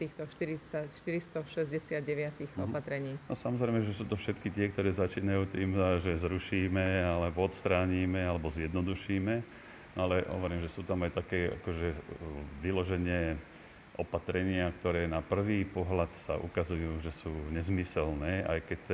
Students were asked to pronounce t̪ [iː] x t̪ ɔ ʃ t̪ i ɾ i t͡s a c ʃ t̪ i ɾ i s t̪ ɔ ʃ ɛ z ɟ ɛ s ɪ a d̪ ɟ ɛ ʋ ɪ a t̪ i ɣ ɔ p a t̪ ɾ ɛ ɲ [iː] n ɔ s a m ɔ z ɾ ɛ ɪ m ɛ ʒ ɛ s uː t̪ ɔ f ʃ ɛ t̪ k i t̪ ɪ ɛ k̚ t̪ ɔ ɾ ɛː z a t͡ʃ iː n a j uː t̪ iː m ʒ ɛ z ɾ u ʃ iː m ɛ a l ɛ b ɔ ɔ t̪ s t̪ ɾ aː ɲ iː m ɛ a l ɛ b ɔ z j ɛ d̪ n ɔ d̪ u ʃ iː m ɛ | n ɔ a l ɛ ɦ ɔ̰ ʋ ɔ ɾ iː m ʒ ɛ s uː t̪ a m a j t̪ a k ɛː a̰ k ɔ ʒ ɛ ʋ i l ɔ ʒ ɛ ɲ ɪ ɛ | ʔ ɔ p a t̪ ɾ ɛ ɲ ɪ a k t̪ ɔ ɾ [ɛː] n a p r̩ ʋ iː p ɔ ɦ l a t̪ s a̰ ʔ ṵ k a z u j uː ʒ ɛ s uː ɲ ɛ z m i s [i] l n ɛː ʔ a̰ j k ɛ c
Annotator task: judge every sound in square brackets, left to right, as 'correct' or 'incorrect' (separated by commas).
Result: correct, correct, correct, incorrect